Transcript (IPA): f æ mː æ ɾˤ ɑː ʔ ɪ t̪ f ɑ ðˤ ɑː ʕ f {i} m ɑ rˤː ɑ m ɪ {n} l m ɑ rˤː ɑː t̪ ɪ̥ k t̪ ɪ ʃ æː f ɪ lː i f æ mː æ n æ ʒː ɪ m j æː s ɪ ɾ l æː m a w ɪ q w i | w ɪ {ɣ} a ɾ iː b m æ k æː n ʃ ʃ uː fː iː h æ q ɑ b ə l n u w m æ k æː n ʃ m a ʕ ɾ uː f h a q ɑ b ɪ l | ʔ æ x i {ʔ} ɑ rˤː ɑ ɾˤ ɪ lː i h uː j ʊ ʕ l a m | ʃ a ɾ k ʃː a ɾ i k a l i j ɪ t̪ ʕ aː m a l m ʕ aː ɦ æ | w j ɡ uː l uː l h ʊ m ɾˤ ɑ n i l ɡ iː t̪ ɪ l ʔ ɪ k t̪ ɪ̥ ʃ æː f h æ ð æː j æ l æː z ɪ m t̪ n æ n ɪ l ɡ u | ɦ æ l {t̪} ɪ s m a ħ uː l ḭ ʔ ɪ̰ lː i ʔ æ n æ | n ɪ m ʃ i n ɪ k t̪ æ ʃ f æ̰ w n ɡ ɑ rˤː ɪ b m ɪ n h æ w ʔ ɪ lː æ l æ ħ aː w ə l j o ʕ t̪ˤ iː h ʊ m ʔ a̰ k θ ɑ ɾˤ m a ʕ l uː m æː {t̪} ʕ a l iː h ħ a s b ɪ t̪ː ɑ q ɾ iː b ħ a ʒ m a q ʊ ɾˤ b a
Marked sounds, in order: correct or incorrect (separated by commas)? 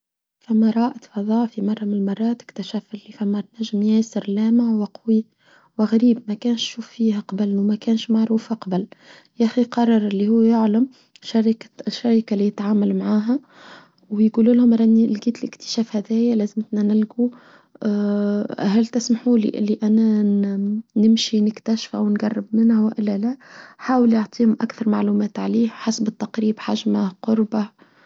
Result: correct, correct, correct, incorrect, correct, correct